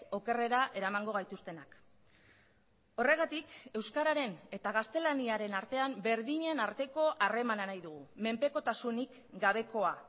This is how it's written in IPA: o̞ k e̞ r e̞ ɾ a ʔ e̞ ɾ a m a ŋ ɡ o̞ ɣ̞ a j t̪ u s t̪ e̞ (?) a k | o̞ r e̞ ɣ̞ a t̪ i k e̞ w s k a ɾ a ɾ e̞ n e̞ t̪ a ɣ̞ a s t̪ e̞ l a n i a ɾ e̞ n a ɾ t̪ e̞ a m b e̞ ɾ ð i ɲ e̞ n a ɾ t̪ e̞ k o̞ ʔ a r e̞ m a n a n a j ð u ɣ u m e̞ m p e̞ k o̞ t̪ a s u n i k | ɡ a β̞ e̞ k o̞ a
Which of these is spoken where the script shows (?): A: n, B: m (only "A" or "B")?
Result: A